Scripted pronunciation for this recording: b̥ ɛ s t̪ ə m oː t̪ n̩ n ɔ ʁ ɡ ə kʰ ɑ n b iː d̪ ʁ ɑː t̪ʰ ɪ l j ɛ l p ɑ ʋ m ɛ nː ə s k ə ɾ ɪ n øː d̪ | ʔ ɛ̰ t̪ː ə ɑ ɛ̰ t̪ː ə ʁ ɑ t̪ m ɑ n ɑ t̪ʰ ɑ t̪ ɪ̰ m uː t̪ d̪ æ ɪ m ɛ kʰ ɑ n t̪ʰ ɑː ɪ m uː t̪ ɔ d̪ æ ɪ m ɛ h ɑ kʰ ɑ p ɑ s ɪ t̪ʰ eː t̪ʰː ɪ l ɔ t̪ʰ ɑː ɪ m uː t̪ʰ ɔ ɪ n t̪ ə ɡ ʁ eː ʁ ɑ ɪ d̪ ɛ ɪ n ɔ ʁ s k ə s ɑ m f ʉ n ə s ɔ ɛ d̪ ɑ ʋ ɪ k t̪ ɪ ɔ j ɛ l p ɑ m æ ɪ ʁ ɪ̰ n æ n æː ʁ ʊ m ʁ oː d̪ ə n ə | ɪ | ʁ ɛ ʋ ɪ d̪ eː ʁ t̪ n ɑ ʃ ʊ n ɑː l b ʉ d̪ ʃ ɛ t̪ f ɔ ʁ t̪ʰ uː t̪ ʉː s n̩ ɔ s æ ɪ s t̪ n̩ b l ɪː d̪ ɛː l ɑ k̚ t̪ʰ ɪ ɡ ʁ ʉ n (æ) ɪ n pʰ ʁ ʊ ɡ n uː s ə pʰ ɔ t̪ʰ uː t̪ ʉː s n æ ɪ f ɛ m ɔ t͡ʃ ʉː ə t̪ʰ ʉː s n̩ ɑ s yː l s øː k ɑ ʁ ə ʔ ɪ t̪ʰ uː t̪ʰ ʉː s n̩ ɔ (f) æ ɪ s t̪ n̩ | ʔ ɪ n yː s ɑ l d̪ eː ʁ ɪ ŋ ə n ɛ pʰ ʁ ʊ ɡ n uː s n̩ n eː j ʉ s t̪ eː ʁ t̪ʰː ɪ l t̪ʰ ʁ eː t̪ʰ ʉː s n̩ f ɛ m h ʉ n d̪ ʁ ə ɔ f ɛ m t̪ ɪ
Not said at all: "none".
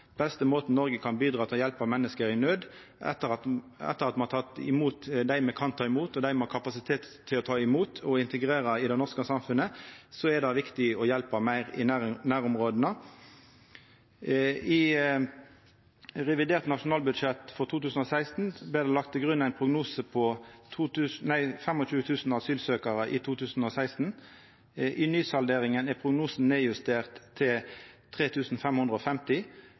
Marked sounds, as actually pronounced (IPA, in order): æ, s

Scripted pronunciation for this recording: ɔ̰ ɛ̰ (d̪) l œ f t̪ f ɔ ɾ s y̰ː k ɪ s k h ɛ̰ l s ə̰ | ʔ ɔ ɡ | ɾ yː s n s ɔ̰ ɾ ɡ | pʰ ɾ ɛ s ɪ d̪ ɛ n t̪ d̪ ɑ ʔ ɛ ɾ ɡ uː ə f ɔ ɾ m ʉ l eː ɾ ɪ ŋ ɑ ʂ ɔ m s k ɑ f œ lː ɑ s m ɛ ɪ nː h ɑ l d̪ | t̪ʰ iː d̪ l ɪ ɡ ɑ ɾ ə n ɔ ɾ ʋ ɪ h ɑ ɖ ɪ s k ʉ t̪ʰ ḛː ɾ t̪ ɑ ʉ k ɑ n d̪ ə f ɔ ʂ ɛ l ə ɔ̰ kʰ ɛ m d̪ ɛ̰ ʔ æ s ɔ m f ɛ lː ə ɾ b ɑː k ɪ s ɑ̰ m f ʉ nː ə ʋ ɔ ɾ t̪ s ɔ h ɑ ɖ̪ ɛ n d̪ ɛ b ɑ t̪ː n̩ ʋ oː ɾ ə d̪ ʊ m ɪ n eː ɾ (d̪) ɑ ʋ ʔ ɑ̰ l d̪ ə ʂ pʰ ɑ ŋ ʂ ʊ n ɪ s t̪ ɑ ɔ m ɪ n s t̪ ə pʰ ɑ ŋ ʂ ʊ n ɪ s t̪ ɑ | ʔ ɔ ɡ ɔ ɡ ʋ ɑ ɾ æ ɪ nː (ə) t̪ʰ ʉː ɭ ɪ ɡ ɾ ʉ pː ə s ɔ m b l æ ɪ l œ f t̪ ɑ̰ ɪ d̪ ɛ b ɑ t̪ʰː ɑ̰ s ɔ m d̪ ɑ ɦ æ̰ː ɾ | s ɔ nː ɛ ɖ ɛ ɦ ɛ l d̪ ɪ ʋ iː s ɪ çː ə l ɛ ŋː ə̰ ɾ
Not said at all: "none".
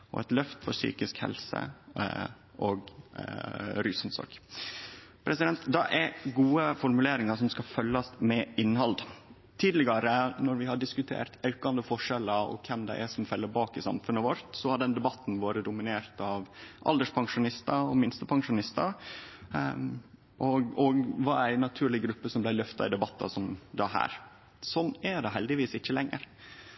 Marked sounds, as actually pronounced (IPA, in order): t̪, t̪, ɑ

